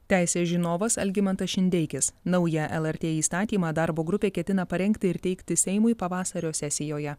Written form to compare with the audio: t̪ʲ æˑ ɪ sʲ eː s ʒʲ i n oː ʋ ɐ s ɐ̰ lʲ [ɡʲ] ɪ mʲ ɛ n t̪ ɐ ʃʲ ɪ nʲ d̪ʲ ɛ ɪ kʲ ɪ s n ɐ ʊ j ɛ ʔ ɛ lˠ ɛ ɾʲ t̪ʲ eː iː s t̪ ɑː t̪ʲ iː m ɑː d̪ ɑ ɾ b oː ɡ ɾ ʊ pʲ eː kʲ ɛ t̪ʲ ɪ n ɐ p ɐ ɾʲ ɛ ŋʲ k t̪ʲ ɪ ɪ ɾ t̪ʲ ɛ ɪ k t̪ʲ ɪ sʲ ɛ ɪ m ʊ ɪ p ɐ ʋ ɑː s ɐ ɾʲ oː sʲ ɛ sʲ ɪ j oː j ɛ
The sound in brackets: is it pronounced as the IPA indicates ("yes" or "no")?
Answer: yes